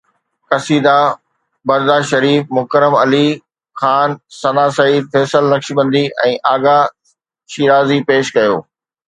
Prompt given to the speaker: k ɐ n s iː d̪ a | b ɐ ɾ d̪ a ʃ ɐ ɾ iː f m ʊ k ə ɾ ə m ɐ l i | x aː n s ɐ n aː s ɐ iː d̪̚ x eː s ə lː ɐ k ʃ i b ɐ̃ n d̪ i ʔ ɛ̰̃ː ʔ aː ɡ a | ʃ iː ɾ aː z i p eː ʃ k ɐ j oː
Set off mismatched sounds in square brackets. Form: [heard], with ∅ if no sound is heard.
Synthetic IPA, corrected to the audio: k ɐ [∅] s iː d̪ a | b ɐ ɾ d̪ a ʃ ɐ ɾ iː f m ʊ k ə ɾ ə m ɐ l i | x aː n s ɐ n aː s ɐ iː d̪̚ [f] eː s ə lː ɐ k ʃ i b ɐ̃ n d̪ i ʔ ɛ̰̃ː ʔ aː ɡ a | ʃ iː ɾ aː z i p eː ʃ k ɐ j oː